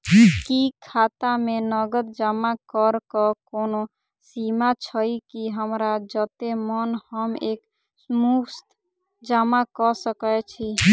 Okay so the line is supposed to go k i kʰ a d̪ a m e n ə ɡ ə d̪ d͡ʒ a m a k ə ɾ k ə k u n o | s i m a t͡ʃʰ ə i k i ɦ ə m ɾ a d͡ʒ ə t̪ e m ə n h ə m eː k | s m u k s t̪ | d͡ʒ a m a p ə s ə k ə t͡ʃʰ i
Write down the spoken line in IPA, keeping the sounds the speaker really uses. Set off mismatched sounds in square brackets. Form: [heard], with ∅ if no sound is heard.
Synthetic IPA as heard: k i kʰ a [t̪] a m e n ə ɡ ə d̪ d͡ʒ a m a k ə ɾ k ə k [o] n o | s i m a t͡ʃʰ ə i k i ɦ ə m ɾ a d͡ʒ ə t̪ e m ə n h ə m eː k | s m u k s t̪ | d͡ʒ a m a [k] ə s ə k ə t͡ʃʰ i